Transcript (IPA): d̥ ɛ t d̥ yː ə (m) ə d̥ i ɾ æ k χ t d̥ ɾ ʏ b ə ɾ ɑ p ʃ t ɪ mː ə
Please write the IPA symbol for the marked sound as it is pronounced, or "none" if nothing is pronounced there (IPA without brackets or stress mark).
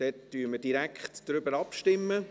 m